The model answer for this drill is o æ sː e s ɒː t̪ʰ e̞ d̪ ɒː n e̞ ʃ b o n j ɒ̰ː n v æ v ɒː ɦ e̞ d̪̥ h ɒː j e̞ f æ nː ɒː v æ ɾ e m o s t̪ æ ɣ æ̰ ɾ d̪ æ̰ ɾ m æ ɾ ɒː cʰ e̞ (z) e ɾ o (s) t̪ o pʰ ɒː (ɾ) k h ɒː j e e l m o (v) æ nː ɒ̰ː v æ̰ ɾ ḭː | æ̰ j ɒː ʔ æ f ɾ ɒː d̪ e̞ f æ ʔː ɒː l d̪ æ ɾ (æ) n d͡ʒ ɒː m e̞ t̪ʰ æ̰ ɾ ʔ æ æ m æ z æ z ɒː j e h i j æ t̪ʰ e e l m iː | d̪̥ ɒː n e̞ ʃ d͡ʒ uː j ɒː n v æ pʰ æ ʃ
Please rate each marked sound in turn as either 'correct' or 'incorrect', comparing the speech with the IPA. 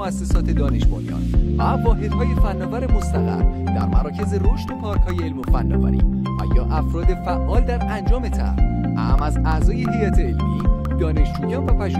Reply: correct, incorrect: ʃ, correct, incorrect: f, correct

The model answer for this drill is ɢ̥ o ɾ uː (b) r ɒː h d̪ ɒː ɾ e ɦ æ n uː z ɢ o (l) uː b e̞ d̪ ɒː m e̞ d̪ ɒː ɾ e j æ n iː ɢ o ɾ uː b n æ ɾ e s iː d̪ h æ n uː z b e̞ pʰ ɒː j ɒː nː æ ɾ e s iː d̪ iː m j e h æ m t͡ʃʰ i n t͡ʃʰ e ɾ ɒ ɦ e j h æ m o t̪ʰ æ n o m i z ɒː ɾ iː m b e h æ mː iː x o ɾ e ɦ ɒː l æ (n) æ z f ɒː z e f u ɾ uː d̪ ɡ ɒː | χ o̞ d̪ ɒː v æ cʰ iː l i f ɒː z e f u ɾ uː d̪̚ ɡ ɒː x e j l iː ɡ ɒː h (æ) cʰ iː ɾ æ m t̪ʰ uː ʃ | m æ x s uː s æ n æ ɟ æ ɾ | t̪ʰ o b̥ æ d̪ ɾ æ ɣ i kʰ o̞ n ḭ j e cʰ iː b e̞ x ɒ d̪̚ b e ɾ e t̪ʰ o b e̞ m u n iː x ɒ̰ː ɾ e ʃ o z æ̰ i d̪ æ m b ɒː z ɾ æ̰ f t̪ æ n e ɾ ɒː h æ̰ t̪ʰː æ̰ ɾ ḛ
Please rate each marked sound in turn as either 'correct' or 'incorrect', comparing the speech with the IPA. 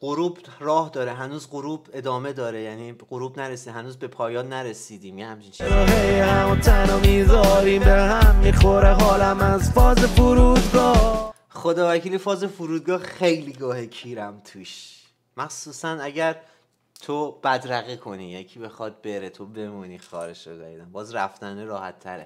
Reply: correct, incorrect: ɾ, incorrect: m, incorrect: e

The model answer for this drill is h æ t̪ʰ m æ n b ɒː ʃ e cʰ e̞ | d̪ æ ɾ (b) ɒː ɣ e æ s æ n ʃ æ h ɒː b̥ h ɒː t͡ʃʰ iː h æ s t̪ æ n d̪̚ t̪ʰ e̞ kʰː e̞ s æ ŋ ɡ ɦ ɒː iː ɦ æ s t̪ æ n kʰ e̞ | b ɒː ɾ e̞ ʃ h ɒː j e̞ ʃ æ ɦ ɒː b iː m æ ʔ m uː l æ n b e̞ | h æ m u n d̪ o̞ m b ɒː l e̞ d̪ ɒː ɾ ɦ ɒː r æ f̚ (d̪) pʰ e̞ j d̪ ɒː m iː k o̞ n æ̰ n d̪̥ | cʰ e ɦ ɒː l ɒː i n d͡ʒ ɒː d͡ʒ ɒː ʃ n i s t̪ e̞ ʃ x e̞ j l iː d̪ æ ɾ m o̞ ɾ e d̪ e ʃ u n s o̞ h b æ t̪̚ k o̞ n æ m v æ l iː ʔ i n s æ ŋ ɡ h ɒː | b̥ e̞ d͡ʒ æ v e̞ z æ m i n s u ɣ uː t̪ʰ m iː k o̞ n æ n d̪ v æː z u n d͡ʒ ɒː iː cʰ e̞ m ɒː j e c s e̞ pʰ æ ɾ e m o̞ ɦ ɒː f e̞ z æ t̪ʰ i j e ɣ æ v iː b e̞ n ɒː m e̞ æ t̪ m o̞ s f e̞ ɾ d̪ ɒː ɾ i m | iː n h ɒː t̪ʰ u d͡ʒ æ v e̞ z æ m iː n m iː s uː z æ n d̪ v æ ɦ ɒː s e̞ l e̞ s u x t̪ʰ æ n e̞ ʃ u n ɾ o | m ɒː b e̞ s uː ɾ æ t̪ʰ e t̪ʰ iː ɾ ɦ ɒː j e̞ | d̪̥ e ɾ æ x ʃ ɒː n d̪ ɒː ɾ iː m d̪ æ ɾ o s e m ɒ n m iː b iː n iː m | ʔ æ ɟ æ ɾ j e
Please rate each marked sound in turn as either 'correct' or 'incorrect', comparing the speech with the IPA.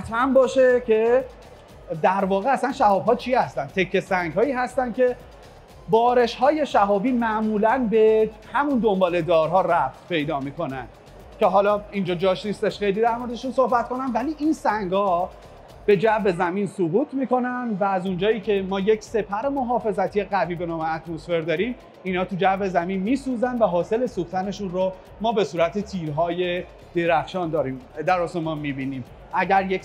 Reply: incorrect: v, incorrect: t̪

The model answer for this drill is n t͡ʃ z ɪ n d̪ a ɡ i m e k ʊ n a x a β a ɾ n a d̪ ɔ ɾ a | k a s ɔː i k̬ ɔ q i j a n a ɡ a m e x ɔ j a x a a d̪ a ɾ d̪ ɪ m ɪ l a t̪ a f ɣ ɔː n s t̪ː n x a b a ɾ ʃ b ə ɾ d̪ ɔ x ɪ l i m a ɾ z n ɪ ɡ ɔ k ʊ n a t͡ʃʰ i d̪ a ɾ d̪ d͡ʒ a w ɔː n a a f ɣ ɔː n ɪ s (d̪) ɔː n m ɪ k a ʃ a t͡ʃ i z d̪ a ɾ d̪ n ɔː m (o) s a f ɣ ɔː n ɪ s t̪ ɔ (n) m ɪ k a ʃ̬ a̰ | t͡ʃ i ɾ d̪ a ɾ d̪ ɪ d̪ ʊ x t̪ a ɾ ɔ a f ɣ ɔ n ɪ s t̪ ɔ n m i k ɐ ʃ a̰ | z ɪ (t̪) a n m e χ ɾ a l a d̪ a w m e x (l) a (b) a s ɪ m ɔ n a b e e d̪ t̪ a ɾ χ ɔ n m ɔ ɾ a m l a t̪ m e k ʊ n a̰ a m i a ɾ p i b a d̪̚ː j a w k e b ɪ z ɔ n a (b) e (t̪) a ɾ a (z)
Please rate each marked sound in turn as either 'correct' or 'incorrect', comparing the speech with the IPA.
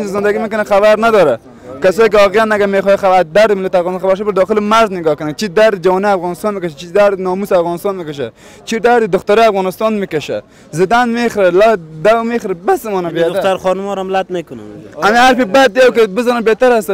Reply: incorrect: t̪, incorrect: u, correct, incorrect: d̪, incorrect: ɾ, correct, correct, correct, incorrect: s

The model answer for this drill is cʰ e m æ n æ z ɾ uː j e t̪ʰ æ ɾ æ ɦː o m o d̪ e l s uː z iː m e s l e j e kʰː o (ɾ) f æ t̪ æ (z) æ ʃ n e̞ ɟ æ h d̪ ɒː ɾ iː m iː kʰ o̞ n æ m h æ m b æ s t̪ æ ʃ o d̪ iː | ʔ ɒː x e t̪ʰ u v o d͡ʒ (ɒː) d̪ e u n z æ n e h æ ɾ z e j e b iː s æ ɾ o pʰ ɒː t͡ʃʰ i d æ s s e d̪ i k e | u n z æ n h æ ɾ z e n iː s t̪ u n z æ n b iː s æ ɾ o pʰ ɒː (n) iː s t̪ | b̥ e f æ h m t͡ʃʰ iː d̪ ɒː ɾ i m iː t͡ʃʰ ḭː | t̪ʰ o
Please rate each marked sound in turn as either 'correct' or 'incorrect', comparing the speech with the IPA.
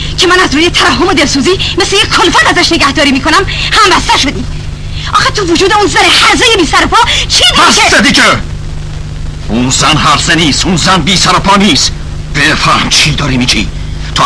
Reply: incorrect: l, correct, incorrect: uː, correct

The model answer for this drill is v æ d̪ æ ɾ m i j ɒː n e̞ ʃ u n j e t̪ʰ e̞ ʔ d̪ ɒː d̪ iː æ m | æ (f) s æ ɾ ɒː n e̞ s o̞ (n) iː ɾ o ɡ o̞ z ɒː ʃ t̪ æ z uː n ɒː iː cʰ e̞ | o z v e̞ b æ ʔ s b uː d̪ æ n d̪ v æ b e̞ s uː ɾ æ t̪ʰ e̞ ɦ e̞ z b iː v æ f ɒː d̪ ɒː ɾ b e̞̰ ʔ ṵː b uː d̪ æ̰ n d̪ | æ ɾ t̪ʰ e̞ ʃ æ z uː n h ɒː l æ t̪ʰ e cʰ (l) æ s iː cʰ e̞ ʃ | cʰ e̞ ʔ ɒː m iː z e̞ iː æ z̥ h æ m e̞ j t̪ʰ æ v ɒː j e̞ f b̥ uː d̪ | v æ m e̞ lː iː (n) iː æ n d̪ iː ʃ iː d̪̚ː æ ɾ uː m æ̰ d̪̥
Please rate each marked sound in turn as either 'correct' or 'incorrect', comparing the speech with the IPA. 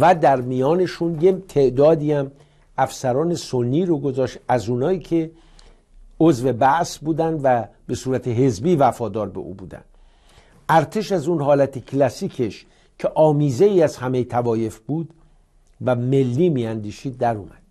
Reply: correct, incorrect: nː, correct, incorrect: m

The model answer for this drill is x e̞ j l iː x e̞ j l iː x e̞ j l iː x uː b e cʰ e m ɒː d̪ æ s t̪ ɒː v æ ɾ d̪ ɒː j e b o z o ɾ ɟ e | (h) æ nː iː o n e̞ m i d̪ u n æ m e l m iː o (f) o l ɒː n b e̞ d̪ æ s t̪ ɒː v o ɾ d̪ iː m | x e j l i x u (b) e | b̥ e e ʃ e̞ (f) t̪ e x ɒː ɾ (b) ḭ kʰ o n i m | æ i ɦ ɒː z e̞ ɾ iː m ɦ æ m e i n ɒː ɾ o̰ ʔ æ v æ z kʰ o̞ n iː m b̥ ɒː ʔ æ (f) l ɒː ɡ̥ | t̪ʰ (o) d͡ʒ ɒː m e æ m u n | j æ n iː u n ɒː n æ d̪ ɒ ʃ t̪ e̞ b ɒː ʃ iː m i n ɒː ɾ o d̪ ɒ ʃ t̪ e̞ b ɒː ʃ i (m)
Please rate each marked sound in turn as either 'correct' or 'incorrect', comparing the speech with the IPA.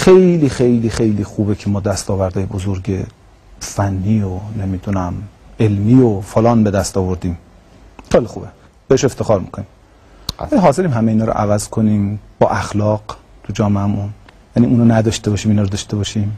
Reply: incorrect: f, correct, correct, correct, incorrect: m, incorrect: x, incorrect: u, correct

